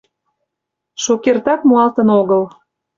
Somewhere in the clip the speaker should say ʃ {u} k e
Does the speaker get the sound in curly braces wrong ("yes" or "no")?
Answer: yes